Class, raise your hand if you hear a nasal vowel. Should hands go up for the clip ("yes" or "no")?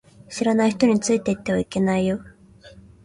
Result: no